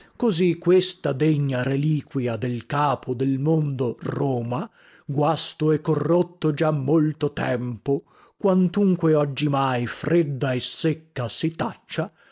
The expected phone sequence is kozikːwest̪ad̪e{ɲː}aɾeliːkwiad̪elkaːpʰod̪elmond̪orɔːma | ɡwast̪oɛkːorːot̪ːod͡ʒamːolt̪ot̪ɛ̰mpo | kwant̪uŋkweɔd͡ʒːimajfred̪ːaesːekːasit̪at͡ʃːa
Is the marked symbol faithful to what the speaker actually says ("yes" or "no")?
yes